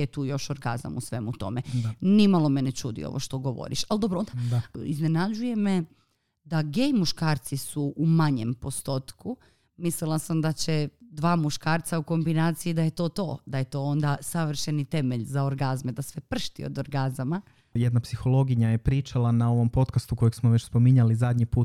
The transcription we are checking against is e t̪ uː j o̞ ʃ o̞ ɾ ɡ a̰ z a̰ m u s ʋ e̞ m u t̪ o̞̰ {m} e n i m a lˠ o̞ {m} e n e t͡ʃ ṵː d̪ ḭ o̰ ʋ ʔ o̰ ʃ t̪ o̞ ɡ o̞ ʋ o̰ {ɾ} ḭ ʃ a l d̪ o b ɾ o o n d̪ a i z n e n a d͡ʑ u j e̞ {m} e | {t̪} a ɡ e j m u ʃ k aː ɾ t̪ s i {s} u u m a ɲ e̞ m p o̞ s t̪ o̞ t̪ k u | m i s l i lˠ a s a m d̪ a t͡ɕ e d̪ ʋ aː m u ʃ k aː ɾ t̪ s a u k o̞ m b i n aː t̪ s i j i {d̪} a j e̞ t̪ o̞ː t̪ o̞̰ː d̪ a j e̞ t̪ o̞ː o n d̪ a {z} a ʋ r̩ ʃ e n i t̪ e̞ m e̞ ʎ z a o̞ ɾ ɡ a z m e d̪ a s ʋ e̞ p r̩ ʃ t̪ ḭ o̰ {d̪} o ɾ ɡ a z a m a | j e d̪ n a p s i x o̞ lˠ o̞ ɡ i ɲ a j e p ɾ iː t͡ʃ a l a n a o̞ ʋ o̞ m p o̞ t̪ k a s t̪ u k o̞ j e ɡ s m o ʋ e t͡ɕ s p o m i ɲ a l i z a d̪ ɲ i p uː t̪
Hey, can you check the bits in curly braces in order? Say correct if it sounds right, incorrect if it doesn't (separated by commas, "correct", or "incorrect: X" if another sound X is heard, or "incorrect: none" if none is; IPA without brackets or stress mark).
correct, correct, correct, correct, incorrect: d̪, correct, correct, incorrect: s, correct